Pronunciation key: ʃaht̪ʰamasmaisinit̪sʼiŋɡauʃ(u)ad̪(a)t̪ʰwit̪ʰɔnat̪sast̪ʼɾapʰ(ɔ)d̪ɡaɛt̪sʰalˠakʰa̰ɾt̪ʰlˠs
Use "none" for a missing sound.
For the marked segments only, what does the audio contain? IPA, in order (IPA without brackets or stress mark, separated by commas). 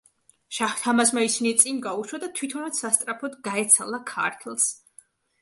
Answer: w, a, ɔ